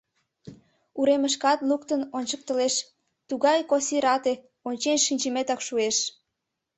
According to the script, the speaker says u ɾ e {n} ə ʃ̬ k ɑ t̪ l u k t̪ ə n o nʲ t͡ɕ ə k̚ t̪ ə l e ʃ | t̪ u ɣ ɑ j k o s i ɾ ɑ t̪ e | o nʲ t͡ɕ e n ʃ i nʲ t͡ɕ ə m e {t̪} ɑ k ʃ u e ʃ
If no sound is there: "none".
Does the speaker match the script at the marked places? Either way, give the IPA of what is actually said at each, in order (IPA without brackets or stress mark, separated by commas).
m, t̪